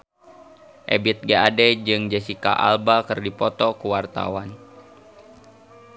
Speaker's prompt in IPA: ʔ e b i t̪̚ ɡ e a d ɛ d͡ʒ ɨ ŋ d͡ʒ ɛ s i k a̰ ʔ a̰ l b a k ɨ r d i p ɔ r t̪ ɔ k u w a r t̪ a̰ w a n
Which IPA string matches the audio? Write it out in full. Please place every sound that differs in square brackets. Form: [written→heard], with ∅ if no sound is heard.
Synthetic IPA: ʔ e b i t̪̚ ɡ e a d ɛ d͡ʒ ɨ ŋ d͡ʒ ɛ s i k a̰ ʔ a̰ l b a k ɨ r d i p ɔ [r→∅] t̪ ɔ k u w a r t̪ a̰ w a n